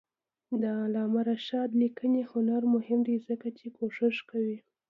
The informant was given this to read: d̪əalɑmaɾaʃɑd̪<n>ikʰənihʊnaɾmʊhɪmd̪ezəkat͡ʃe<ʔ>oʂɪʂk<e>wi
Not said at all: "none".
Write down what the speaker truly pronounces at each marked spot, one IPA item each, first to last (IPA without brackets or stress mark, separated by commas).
n, k, a